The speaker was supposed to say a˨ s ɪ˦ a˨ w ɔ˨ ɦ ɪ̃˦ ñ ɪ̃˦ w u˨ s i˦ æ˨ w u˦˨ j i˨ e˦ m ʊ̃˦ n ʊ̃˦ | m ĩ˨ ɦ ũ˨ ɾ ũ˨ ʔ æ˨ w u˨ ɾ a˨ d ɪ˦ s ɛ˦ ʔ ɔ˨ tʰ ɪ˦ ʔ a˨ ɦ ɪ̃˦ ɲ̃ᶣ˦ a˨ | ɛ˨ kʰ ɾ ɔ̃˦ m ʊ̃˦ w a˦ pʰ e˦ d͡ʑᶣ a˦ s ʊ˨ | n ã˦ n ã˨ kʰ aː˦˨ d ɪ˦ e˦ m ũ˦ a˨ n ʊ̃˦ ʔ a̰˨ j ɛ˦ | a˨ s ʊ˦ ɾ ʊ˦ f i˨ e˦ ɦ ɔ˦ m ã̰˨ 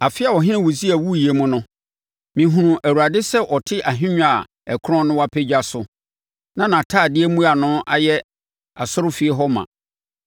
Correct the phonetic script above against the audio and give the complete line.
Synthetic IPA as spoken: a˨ f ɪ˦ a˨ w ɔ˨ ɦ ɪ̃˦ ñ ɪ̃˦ w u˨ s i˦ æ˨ w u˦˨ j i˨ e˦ m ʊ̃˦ n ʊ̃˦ | m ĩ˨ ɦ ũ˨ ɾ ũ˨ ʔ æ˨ w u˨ ɾ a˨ d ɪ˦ s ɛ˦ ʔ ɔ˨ tʰ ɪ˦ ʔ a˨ ɦ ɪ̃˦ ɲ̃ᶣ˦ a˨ | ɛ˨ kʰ ɾ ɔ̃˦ n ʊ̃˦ w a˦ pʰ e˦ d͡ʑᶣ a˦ s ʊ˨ | n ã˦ n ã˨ tʰ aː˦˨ d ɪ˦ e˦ m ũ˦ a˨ n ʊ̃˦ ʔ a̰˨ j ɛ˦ | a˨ s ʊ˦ ɾ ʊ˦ f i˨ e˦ ɦ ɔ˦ m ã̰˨